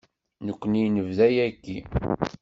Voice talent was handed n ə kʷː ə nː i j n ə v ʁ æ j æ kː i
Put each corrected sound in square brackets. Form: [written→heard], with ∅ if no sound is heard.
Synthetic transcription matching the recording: n ə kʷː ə [nː→n] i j n ə v [ʁ→ð] æ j æ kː i